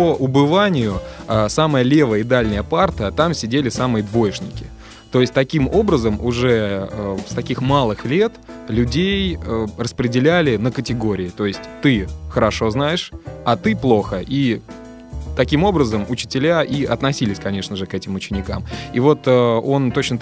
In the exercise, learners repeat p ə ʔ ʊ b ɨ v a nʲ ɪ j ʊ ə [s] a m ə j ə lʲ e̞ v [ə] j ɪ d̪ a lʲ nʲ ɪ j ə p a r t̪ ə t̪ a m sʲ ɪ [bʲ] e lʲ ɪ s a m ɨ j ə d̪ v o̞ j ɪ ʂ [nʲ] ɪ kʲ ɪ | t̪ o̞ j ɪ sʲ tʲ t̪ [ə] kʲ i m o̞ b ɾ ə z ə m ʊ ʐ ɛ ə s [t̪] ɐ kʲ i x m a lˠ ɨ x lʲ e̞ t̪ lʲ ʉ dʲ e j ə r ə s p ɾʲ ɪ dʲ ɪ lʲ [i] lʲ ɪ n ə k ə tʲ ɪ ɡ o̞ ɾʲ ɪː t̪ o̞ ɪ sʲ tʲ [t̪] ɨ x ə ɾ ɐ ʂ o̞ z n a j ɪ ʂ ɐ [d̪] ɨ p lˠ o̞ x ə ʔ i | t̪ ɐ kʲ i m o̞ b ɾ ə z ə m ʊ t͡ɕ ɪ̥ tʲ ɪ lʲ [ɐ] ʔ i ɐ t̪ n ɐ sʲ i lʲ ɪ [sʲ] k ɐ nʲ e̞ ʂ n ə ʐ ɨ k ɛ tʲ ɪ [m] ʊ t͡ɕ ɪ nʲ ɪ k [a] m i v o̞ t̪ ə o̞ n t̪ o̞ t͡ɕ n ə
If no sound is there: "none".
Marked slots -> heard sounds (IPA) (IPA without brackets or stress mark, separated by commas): s, ə, dʲ, nʲ, ɐ, t̪, æ, t̪, t̪, a, sʲ, m, a